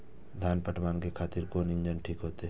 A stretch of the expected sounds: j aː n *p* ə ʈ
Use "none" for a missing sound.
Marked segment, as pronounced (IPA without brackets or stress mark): p